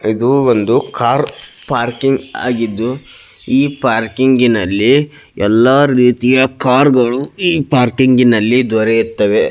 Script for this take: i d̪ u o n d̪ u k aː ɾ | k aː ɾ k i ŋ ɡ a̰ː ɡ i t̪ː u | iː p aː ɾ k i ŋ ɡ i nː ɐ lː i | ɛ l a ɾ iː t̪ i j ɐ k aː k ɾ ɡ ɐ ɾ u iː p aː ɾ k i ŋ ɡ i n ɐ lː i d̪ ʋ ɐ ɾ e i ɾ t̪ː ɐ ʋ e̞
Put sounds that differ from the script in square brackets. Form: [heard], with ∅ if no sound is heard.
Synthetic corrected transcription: i d̪ u o n d̪ u k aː ɾ | [p] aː ɾ k i ŋ ɡ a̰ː ɡ i [d̪ː] u | iː p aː ɾ k i ŋ ɡ i [n] ɐ lː i | ɛ [lː] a ɾ iː t̪ i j ɐ k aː [∅] ɾ ɡ ɐ [ɭ] u iː p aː ɾ k i ŋ ɡ i n ɐ lː i d̪ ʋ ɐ ɾ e i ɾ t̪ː ɐ ʋ e̞